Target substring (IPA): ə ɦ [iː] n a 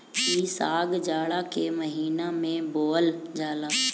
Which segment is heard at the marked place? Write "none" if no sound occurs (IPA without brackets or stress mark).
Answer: iː